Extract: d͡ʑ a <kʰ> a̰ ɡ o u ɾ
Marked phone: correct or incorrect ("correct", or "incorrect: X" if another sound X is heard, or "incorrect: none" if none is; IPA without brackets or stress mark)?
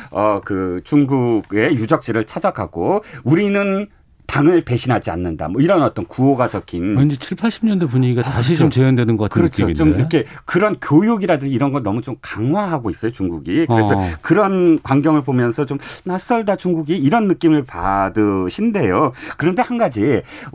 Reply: correct